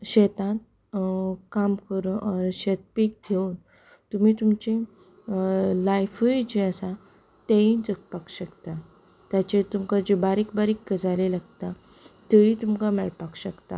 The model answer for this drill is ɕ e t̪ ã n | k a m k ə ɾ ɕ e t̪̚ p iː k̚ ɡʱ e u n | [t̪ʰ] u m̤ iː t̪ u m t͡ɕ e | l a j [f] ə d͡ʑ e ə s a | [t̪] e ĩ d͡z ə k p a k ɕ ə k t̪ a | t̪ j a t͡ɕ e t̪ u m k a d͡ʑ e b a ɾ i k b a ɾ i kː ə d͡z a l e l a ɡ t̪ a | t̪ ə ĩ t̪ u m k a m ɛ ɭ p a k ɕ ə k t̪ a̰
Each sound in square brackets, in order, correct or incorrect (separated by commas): incorrect, correct, correct